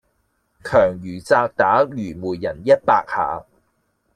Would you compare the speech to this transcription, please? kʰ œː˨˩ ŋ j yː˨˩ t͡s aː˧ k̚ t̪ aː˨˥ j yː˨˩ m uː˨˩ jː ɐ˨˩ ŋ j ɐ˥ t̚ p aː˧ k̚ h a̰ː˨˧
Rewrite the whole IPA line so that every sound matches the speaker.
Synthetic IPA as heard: kʰ œː˨˩ ŋ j yː˨˩ t͡s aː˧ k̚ t̪ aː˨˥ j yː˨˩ m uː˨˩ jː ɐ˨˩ n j ɐ˥ t̚ p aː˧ k̚ h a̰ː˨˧